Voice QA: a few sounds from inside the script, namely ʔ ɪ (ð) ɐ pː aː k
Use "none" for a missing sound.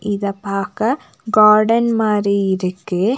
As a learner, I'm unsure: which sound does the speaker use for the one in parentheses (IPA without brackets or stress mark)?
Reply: ð